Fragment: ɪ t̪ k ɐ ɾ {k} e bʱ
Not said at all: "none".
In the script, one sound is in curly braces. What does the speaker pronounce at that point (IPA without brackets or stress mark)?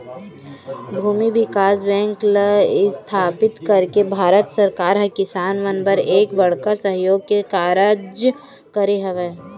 k